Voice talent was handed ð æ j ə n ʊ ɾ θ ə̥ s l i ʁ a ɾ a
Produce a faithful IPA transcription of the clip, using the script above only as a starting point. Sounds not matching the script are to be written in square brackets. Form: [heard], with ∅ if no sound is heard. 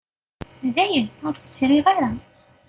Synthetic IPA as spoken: ð æ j ə n ʊ ɾ θ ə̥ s [ɾ] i ʁ a ɾ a

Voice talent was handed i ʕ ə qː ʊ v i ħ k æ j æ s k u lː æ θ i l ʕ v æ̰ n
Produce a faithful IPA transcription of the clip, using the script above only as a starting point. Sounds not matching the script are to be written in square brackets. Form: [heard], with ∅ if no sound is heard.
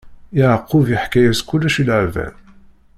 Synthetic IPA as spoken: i ʕ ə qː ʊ v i ħ k æ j æ s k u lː æ [ʃ] i l ʕ v æ̰ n

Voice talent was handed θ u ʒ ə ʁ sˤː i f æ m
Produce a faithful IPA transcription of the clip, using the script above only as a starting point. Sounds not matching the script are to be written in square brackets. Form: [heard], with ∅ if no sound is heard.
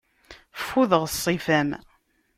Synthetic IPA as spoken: [f] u [ð] ə ʁ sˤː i f æ m

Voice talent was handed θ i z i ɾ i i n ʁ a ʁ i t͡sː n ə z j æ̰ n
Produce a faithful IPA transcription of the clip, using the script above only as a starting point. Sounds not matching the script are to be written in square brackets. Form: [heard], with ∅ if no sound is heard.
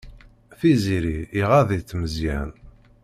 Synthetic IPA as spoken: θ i z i ɾ i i [∅] ʁ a [ð] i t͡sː [m] ə z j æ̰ n

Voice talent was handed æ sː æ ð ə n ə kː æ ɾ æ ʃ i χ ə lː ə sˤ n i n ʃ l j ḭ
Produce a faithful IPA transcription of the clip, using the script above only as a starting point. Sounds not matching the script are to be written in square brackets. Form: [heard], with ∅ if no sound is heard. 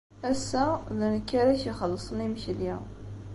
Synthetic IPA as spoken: æ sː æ ð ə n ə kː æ ɾ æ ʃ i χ ə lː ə sˤ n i [m] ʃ l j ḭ

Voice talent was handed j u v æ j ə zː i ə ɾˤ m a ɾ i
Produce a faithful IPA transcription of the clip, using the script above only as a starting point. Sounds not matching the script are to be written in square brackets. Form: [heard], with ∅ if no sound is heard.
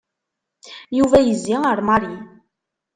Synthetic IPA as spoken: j u v æ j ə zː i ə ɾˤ m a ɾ i

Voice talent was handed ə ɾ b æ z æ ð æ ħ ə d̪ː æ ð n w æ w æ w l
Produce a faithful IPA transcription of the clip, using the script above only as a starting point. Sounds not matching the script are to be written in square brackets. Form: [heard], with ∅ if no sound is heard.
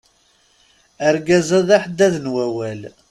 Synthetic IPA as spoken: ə ɾ [ɡ] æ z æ ð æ ħ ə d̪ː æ ð n w æ w æ [∅] l

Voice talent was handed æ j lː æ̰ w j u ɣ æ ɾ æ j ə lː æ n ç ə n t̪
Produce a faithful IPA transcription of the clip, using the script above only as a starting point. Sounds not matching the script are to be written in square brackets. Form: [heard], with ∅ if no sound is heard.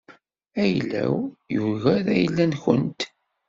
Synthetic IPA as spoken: æ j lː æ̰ w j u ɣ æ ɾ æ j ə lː æ n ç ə n t̪

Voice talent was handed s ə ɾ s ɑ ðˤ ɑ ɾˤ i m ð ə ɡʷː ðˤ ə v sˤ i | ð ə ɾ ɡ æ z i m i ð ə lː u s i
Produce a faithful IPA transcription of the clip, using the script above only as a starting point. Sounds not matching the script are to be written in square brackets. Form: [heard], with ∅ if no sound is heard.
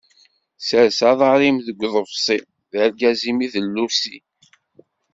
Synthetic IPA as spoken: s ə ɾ s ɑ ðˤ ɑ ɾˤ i m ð ə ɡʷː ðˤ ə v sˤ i | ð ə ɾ ɡ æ z i m i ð ə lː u s i

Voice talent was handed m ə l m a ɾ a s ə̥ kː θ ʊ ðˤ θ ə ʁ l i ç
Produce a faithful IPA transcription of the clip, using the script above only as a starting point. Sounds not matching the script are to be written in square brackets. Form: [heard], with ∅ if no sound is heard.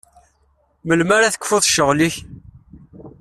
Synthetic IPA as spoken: m ə l m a ɾ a [θ] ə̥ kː [f] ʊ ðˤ [ʃ] ə ʁ l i ç

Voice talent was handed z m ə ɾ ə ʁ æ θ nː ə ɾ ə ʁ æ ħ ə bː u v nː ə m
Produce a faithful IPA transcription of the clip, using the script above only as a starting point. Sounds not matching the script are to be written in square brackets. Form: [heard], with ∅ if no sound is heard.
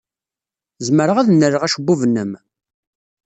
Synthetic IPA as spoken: z m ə ɾ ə ʁ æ [ð] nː ə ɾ ə ʁ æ [ʃ] ə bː u v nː ə m

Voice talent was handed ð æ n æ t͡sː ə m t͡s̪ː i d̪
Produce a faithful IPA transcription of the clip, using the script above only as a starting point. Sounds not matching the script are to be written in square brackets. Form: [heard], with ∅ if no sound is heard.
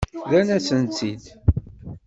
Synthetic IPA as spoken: ð æ n æ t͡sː ə [n] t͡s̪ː i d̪

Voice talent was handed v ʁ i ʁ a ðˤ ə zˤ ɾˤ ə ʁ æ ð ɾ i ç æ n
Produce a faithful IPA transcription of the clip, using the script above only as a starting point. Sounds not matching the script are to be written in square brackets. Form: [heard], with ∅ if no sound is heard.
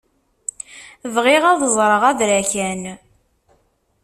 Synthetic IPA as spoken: v ʁ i ʁ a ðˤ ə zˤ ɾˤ ə ʁ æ ð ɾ [æ] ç æ n

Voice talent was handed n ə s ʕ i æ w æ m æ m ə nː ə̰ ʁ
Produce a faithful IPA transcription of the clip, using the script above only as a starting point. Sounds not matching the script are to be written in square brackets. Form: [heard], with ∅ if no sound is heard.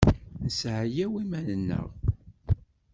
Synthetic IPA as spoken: n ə s ʕ [j] æ w [i] m æ [n] ə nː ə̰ ʁ

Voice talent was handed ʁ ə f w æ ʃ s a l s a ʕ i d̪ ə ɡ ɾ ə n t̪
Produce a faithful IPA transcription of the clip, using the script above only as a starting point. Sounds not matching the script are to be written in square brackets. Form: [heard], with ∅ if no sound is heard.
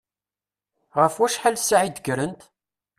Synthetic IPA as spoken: ʁ ə f w æ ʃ [ħ] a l s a ʕ i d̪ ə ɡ ɾ ə n t̪

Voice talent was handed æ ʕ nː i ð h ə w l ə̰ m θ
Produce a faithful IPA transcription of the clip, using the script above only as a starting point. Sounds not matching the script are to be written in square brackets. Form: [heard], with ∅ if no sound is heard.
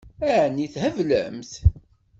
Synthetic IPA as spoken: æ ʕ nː i [θ] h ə [v] l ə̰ m θ

